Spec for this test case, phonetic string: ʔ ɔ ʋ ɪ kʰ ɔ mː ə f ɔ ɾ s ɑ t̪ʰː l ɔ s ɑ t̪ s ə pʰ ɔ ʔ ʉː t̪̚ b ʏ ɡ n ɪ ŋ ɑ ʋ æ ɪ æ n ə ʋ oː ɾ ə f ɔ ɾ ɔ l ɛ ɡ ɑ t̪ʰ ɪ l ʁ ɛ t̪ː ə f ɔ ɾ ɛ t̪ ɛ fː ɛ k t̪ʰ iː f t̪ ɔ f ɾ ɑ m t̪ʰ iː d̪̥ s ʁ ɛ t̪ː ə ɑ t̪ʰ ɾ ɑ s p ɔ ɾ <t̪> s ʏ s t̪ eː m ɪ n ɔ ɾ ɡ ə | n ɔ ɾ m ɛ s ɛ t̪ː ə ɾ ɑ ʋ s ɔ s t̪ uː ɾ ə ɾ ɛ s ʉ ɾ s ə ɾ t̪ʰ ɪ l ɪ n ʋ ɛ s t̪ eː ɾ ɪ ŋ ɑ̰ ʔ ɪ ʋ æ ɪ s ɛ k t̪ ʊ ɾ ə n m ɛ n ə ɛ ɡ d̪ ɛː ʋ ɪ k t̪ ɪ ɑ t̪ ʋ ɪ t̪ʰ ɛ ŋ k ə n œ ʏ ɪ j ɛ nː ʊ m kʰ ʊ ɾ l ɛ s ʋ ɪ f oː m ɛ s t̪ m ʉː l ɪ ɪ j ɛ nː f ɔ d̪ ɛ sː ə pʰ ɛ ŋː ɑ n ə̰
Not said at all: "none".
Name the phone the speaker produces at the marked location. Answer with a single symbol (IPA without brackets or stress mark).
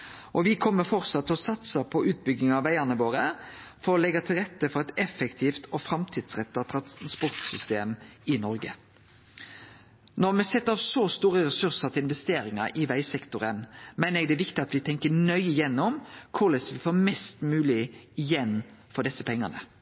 t̪